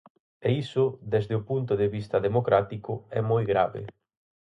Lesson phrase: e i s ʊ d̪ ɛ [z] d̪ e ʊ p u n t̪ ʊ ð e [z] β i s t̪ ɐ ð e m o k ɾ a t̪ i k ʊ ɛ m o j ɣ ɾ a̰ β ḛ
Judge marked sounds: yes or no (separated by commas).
yes, no